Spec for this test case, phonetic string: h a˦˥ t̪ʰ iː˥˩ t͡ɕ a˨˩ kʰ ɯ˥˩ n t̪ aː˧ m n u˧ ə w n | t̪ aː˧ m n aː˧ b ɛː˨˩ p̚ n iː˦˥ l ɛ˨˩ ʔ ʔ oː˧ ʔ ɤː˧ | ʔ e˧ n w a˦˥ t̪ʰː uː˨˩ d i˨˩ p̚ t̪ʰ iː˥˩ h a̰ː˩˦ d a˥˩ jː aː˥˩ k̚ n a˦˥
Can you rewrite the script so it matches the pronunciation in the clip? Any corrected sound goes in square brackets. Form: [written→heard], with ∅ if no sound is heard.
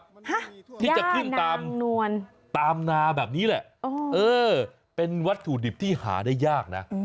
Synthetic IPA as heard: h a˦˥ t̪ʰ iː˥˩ t͡ɕ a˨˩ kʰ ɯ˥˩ n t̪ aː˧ m n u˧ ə [w→∅] n | t̪ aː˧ m n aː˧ b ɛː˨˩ p̚ n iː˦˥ l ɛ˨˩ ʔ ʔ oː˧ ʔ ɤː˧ | [ʔ→p] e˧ n w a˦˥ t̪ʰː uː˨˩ d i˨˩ p̚ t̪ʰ iː˥˩ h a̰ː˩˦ d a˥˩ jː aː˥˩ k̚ n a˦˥